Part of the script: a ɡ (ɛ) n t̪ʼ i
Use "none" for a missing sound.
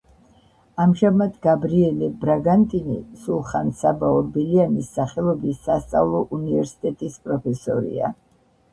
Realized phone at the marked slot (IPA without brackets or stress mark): a